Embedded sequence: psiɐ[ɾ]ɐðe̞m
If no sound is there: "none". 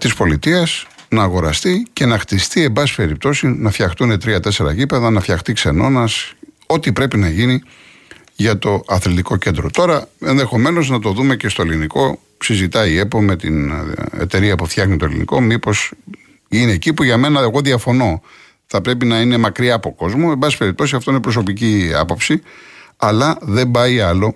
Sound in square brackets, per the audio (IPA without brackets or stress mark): l